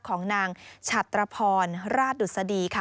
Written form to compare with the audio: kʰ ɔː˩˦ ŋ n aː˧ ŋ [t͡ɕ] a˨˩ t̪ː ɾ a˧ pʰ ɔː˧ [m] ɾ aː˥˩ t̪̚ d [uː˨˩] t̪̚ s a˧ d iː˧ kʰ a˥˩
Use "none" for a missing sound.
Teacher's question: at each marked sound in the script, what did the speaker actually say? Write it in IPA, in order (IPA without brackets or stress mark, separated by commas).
t͡ɕʰ, n, u˨˩